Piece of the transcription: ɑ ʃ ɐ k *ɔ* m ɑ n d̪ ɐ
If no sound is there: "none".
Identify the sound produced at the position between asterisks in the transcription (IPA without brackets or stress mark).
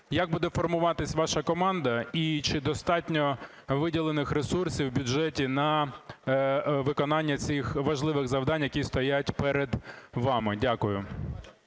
ɔ